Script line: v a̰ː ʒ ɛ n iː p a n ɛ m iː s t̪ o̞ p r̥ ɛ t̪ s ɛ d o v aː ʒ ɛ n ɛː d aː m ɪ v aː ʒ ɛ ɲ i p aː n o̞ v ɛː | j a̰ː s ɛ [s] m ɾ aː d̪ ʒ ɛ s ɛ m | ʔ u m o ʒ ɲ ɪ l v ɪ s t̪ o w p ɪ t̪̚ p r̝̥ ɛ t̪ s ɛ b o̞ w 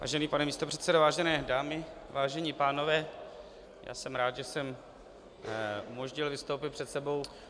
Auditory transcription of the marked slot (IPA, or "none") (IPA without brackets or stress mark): none